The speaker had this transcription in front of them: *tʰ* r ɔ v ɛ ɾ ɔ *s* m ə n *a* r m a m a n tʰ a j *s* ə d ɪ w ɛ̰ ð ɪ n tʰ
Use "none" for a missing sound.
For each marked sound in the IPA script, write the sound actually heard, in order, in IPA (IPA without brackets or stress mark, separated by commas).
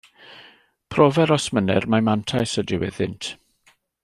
pʰ, s, ɛ, s